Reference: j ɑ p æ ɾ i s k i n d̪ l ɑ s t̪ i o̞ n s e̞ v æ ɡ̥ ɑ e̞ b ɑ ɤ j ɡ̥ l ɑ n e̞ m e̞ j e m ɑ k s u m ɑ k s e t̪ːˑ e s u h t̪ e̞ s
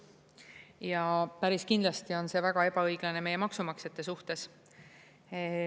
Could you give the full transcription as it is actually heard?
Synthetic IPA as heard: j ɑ p æ ɾ i s k i n d̪ l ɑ s t̪ i o̞ n s e̞ v æ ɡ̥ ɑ e̞ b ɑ ɤ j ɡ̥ l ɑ n e̞ m e̞ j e m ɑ k s u m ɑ k s e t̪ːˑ e s u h t̪ e̞ s